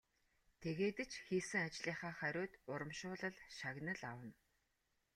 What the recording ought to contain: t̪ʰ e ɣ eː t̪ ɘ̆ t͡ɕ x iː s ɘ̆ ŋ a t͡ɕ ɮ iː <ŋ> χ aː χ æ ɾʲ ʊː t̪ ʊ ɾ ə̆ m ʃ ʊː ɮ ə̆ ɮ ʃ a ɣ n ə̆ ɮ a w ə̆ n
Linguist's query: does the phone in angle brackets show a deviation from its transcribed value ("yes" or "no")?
yes